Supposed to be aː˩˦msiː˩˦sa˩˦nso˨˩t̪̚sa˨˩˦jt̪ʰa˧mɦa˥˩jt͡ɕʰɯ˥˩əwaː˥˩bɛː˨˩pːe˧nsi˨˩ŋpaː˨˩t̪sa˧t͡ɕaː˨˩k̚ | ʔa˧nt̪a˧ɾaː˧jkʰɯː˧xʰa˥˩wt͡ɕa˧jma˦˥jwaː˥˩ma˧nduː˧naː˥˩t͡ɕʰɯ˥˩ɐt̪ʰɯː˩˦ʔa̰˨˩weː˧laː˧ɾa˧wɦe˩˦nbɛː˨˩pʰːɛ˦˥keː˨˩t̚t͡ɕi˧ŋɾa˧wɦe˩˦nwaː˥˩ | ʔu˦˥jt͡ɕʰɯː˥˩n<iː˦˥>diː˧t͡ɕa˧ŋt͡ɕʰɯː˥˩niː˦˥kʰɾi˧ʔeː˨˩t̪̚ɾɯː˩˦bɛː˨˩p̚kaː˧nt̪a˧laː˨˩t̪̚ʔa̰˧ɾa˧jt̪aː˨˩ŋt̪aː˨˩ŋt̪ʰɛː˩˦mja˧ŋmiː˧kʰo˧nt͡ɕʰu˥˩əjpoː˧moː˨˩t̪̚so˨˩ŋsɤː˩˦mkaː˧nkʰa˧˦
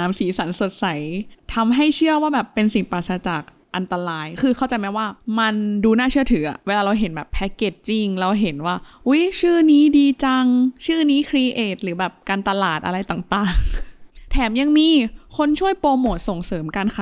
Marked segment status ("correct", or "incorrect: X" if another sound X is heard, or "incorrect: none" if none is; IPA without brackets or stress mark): correct